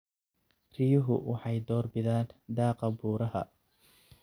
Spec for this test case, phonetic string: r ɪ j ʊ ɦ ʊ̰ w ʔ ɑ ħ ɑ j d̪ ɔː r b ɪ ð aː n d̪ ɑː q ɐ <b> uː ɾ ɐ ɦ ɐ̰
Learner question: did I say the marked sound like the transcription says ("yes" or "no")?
yes